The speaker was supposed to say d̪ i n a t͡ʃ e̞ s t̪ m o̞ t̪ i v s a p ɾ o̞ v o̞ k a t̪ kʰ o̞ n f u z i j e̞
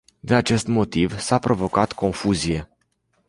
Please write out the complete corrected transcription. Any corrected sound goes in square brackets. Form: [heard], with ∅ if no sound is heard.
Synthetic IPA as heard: d̪ i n a t͡ʃ e̞ s t̪ m o̞ t̪ i v s a p ɾ o̞ v o̞ k a t̪ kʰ o̞ n f u z i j e̞